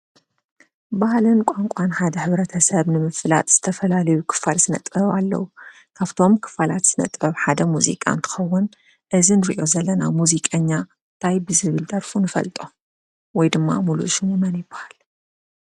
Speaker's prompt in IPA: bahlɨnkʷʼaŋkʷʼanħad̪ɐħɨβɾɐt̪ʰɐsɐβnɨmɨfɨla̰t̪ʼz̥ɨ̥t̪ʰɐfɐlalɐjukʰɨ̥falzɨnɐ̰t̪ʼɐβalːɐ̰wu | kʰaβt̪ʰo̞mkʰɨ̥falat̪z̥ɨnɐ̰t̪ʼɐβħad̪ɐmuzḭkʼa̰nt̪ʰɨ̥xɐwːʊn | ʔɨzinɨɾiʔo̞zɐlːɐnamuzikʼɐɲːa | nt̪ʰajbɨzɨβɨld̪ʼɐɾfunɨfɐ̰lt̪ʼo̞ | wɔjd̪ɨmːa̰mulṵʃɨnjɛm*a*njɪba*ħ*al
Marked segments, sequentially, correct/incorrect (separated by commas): incorrect, incorrect